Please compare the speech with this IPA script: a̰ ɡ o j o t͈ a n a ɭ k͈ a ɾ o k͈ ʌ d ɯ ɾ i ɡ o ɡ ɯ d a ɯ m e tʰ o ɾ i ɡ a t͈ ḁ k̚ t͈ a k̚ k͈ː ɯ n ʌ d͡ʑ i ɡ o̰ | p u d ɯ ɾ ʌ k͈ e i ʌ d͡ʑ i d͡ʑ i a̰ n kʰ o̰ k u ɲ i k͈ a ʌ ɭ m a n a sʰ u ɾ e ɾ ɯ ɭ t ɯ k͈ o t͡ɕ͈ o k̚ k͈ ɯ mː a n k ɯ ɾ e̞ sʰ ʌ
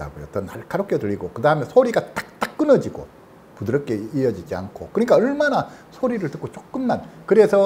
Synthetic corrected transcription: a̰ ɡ o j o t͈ ʌ n a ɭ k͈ a ɾ o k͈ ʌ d ɯ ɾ i ɡ o k ɯ d a ɯ m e sʰ o ɾ i ɡ a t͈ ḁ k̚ t͈ a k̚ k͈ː ɯ n ʌ d͡ʑ i ɡ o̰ | p u d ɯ ɾ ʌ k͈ e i ʌ d͡ʑ i d͡ʑ i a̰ n kʰ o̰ k ɯ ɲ i k͈ a ʌ ɭ m a n a sʰ o ɾ i ɾ ɯ ɭ t ɯ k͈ o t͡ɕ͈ o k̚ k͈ ɯ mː a n k ɯ ɾ e̞ sʰ ʌ